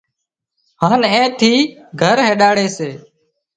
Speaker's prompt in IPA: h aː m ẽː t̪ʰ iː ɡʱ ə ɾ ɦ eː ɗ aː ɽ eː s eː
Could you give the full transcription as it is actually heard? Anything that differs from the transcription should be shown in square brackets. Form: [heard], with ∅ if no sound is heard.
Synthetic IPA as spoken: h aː [n] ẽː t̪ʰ iː ɡʱ ə ɾ ɦ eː ɗ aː ɽ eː s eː